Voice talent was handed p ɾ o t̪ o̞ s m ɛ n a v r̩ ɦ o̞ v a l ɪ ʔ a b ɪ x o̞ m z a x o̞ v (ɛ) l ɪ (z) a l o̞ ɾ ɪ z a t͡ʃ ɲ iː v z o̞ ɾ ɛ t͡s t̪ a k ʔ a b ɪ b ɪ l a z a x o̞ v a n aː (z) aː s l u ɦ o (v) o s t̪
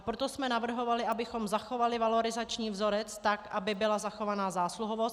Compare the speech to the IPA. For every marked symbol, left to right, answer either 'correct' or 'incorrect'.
incorrect, incorrect, correct, correct

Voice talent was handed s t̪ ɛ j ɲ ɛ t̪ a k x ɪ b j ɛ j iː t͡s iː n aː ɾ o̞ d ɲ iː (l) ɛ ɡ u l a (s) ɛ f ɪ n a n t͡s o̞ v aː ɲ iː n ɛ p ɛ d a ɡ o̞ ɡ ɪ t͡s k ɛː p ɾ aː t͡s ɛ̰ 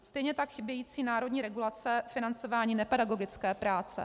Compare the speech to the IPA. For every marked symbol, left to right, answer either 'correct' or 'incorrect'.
incorrect, incorrect

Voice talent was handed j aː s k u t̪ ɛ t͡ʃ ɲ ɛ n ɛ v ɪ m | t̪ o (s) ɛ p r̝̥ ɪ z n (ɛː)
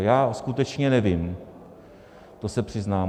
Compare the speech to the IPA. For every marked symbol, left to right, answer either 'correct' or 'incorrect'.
correct, incorrect

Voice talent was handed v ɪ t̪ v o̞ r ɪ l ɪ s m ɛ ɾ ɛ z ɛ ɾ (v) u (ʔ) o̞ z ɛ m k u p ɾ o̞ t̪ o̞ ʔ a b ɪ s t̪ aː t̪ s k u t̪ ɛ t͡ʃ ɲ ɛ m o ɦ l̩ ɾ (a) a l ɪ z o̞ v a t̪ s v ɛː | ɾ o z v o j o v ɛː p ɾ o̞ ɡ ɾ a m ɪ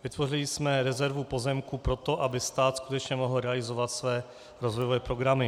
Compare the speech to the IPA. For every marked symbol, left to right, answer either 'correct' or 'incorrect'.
correct, incorrect, incorrect

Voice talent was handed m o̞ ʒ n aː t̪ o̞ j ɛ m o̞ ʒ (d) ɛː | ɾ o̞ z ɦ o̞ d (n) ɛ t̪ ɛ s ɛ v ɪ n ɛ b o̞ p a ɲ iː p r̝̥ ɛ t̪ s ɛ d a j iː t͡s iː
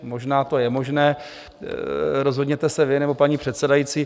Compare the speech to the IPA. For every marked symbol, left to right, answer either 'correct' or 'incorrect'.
incorrect, incorrect

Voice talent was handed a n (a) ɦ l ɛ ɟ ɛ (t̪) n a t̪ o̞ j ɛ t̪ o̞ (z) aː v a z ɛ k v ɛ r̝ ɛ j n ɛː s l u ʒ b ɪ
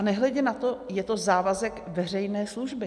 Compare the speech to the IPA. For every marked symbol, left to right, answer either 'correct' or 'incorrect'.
incorrect, incorrect, correct

